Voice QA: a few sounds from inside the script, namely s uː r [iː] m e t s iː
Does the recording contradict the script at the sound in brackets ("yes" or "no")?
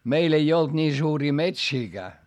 no